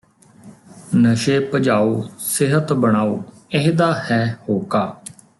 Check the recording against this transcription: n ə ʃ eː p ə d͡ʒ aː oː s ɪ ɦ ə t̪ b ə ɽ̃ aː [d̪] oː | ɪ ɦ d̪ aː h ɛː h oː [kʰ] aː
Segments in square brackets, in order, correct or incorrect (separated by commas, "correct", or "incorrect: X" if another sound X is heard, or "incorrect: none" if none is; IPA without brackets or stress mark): incorrect: none, incorrect: k